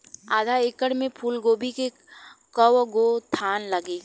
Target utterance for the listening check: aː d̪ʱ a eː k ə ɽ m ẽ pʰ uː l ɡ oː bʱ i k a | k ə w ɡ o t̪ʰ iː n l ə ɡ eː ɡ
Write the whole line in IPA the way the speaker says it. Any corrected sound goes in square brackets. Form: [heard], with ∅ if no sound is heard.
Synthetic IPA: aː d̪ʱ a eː k ə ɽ m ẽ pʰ uː l ɡ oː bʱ i k [e] | k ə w ɡ o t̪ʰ [aː] n l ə ɡ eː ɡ